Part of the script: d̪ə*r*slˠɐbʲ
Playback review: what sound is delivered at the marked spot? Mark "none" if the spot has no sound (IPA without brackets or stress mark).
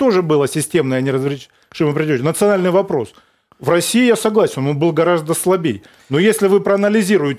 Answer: none